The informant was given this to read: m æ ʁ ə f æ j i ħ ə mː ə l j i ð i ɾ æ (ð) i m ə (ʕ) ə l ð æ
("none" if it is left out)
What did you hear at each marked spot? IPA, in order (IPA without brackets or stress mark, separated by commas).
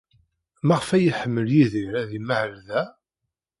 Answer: ð, ʕ